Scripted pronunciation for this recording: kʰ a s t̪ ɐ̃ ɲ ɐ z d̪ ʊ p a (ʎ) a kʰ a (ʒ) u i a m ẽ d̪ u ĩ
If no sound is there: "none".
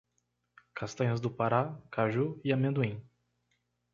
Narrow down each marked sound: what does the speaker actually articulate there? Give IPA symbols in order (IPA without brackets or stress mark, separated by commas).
ɾ, ʒ